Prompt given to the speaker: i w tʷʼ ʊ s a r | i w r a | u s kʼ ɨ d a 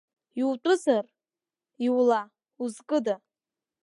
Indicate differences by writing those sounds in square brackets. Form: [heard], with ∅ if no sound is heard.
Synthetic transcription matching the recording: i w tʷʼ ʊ [z] a r | i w [l] a | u [z] kʼ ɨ d a